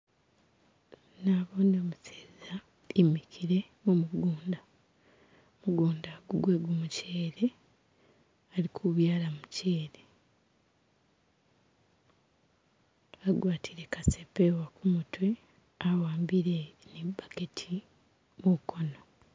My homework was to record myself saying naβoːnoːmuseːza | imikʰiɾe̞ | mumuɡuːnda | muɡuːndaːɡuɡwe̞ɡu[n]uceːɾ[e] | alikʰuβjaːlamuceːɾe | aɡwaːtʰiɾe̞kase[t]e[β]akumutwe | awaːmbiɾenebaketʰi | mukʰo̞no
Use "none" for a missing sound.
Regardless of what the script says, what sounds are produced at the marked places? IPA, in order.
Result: m, e, p, w

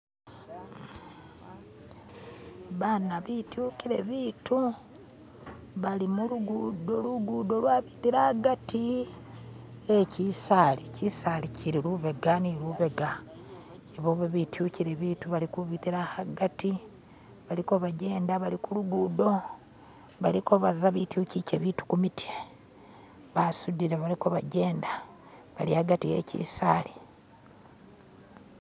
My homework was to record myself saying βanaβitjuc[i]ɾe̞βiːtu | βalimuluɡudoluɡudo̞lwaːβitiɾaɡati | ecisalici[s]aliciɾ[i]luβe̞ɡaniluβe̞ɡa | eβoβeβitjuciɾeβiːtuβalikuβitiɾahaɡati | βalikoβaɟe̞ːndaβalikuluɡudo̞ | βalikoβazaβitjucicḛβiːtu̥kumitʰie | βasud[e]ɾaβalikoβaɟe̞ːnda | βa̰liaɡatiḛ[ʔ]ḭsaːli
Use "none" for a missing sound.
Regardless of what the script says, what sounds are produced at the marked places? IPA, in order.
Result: i, s, i, i, c

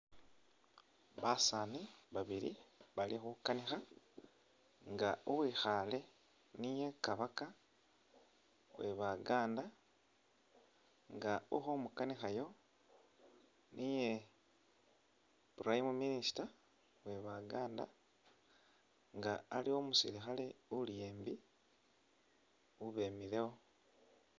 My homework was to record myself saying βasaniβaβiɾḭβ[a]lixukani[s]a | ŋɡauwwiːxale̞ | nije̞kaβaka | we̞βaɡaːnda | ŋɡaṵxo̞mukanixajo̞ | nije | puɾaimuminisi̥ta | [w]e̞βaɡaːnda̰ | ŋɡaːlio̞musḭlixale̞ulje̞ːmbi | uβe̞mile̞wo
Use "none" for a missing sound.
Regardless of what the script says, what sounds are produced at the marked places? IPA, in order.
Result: a, x, w

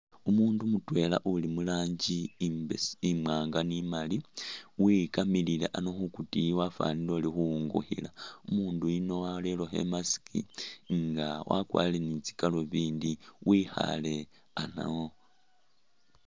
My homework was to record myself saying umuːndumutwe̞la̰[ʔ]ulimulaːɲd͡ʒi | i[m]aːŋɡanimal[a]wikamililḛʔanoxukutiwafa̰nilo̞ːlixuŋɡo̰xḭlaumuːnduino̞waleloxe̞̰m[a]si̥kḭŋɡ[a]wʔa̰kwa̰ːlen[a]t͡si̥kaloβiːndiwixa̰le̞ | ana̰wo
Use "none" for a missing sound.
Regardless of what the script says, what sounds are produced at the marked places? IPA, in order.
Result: ʔ, m, i, a, a, i

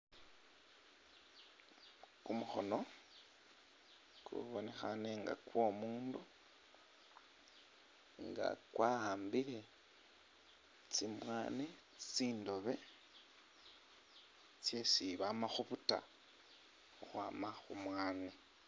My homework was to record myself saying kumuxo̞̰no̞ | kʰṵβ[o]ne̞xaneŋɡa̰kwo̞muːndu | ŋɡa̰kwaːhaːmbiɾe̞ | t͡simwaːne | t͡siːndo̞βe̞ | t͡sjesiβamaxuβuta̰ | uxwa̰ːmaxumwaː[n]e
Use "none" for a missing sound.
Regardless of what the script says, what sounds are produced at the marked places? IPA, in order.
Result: o, n

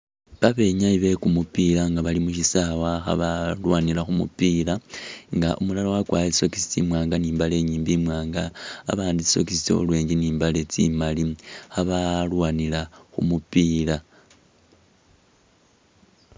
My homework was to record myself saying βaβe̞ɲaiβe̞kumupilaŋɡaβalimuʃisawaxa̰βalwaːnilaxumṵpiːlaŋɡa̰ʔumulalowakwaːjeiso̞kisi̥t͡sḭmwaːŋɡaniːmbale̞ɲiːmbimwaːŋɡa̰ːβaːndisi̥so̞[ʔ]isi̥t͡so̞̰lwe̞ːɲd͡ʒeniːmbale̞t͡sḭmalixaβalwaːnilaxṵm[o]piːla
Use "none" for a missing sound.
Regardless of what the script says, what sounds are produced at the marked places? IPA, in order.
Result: k, u

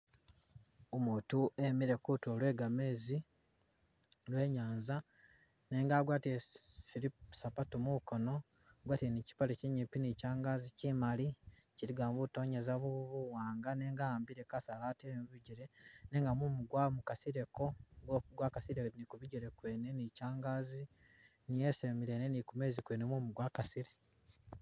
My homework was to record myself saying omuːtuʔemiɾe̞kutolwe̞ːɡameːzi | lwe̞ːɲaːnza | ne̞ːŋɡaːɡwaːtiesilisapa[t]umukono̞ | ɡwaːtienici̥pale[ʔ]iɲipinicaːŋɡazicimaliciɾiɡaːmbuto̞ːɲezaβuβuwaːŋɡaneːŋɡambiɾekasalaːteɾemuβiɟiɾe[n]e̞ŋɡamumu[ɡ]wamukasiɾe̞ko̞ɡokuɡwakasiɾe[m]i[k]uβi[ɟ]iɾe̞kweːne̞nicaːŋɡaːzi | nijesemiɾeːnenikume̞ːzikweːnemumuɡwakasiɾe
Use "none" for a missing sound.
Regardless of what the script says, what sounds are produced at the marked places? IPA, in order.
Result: t, c, n, ɡ, n, k, ɟ

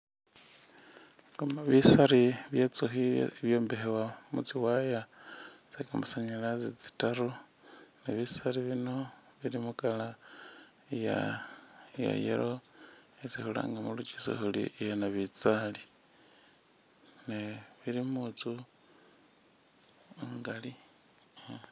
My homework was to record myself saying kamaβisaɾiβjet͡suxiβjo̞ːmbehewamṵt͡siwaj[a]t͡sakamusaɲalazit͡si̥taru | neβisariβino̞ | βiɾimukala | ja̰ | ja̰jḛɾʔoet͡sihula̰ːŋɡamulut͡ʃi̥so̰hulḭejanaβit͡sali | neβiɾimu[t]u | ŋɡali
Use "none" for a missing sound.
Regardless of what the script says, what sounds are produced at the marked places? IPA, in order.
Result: a, t͡s

